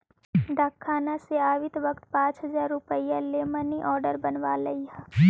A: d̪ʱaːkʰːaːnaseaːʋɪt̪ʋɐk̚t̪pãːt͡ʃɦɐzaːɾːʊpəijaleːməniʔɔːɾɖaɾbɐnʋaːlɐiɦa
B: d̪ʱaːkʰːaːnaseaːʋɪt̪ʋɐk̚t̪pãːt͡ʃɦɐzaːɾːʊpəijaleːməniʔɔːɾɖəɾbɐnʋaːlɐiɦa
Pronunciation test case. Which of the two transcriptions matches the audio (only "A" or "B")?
B